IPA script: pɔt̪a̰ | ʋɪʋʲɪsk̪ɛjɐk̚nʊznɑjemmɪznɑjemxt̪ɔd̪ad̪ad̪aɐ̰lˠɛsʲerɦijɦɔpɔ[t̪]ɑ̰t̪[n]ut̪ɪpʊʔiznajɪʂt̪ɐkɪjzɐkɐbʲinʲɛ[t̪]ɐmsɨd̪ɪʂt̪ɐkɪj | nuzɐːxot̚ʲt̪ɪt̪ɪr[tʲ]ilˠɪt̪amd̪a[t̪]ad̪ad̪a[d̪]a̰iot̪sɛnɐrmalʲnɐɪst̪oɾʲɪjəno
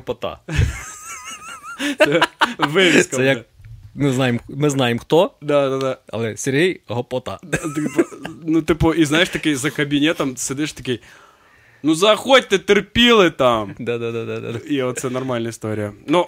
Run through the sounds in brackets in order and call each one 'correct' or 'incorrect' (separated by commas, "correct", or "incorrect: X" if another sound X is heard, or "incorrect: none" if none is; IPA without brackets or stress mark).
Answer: correct, correct, correct, incorrect: pʲ, incorrect: d̪, correct